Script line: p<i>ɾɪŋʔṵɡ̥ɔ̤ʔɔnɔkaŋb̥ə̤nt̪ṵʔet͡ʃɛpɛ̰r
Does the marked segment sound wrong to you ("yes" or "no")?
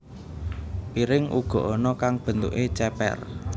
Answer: no